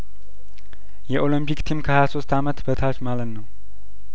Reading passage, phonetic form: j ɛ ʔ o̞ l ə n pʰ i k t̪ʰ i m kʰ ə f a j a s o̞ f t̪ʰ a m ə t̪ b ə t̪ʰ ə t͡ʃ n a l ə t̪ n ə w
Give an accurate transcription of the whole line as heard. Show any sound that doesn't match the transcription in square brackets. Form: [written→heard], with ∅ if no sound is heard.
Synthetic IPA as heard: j ɛ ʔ o̞ l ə [n→m] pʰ i k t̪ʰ i m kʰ ə [f→h] a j a s o̞ [f→s] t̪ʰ a m ə t̪ b ə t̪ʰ [ə→a] t͡ʃ [n→m] a l ə t̪ n ə w